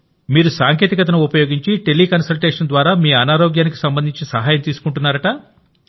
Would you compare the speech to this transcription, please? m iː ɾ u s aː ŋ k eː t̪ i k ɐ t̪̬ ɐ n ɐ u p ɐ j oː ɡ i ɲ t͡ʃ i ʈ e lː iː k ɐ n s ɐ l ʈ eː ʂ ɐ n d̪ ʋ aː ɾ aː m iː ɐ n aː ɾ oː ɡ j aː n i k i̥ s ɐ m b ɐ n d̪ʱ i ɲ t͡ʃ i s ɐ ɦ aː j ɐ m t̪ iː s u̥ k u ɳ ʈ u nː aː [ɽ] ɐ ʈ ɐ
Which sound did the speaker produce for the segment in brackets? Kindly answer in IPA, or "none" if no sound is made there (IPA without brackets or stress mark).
ɾ